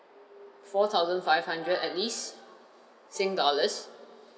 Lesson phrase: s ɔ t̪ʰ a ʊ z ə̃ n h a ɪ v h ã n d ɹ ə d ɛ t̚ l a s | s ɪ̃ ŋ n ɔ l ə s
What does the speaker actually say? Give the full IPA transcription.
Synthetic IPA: f ɔ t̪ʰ a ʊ z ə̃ n f a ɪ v h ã n d ɹ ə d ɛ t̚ l i s | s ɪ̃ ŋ d ɔ l ə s